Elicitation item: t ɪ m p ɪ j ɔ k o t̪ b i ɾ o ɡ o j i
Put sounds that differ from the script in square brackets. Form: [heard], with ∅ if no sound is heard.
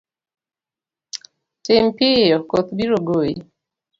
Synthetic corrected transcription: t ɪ m p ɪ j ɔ k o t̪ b i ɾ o ɡ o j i